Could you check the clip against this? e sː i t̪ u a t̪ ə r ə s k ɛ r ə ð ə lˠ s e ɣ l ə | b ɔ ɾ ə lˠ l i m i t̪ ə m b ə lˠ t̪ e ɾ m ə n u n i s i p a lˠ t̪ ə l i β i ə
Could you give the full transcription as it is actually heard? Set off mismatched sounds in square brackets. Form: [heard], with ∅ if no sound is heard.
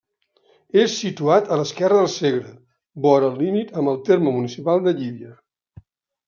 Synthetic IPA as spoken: e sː i t̪ u a t̪ ə [l] ə s k ɛ r ə ð ə lˠ s e ɣ [ɾ] ə | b ɔ ɾ ə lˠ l i m i t̪ ə m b ə lˠ t̪ e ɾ m ə [m] u n i s i p a lˠ [d̪] ə [ʎ] i β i ə